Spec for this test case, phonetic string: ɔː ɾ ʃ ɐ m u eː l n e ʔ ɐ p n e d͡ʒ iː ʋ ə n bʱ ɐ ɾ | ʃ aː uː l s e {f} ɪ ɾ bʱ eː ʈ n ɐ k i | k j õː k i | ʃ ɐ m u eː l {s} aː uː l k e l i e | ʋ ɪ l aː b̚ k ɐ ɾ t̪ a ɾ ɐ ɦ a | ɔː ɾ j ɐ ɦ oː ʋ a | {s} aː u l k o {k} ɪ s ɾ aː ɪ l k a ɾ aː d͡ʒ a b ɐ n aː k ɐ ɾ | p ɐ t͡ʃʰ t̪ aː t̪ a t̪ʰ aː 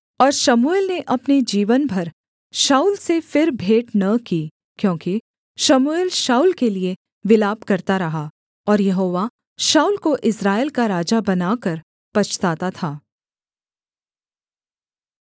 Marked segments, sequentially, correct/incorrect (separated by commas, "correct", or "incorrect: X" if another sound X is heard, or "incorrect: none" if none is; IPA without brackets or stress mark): correct, incorrect: ʃ, incorrect: ʃ, incorrect: ʔ